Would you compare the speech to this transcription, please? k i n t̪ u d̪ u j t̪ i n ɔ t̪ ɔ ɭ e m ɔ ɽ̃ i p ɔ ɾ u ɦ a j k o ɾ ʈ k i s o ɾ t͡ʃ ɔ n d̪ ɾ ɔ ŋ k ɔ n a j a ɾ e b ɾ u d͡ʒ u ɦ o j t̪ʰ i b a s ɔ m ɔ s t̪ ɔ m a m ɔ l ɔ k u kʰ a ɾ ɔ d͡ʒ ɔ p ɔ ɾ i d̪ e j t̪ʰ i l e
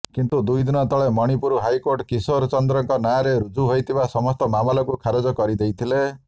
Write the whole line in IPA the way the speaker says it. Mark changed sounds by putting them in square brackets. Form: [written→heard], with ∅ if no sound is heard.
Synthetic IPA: k i n t̪ u d̪ u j [t̪→d̪] i n ɔ t̪ ɔ ɭ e m ɔ ɽ̃ i p [ɔ→u] ɾ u ɦ a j k o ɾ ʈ k i s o ɾ t͡ʃ ɔ n d̪ ɾ ɔ ŋ k ɔ n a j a ɾ e [b→∅] ɾ u d͡ʒ u ɦ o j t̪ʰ i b a s ɔ m ɔ s t̪ ɔ m a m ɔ l ɔ k u kʰ a ɾ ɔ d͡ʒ ɔ [p→k] ɔ ɾ i d̪ e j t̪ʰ i l e